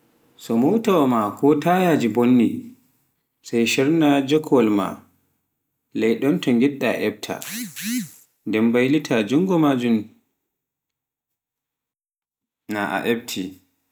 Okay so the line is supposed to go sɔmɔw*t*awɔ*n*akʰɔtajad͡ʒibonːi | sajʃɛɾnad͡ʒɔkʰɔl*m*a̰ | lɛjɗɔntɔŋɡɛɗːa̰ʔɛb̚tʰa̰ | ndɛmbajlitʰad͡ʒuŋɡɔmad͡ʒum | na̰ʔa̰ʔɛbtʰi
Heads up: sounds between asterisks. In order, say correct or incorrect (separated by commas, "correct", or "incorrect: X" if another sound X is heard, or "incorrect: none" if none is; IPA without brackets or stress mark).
correct, incorrect: m, correct